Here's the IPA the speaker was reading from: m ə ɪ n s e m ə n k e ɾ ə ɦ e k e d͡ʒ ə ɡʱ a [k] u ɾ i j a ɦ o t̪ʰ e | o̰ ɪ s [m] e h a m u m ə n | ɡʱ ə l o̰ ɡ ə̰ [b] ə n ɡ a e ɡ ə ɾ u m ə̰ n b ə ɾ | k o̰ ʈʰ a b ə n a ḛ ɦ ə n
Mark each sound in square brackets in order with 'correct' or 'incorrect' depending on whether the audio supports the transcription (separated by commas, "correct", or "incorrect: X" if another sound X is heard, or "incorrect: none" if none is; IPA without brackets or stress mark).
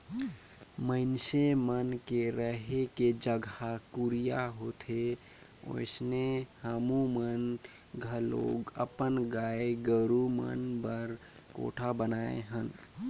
correct, incorrect: n, incorrect: p